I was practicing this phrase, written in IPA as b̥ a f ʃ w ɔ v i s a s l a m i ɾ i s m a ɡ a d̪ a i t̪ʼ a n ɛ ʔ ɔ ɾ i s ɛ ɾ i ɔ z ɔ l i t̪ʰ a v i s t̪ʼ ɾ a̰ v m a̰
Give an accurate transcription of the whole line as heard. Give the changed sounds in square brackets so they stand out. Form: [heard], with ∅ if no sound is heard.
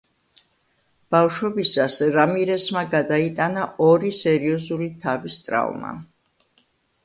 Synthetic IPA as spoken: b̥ a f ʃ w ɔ [b] i s a s [ɾ] a m i ɾ [ɛ] s m a ɡ a d̪ a i t̪ʼ a n [a] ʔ ɔ ɾ i s ɛ ɾ i ɔ z [u] l i t̪ʰ a v i s t̪ʼ ɾ a̰ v m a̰